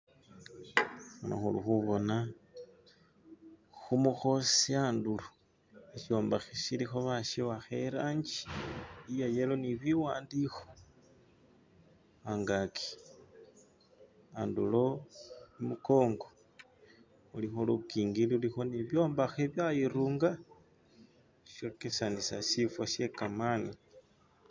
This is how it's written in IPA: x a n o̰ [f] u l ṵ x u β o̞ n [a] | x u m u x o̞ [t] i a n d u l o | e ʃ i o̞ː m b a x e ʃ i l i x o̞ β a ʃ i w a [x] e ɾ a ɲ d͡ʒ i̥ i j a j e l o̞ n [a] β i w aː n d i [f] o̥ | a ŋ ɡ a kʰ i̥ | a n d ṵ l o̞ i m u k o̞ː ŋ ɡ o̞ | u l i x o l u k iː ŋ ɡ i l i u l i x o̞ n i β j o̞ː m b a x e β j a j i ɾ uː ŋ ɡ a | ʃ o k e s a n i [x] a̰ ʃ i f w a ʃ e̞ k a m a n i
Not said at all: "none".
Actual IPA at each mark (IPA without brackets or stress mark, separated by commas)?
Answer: x, a, s, x, i, x, s